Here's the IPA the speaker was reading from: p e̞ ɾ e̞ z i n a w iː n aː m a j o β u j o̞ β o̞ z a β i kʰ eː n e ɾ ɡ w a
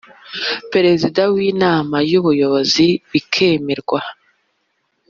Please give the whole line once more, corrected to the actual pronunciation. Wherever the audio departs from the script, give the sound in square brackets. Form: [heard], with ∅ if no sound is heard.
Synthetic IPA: p e̞ ɾ e̞ z i [d] a w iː n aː m a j [u] β u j o̞ β o̞ z [i] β i kʰ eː [m] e ɾ ɡ w a